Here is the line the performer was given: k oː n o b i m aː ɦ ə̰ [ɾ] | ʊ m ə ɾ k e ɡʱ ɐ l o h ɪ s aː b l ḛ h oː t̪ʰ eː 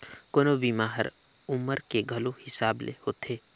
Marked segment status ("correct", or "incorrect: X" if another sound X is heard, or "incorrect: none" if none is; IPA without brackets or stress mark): correct